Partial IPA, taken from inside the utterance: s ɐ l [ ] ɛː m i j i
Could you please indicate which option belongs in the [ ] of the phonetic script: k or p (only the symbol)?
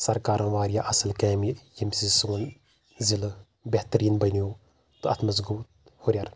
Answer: k